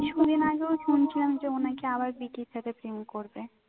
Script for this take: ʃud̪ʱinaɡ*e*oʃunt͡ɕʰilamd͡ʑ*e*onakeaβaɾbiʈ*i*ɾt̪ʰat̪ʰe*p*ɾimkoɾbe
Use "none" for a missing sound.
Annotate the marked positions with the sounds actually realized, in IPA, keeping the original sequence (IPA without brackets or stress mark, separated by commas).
e, e, i, p